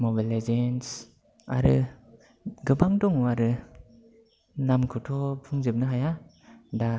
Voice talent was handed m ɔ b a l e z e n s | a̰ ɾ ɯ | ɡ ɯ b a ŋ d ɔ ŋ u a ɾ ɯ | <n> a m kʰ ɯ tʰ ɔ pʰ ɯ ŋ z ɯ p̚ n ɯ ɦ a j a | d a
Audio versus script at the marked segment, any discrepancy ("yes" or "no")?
no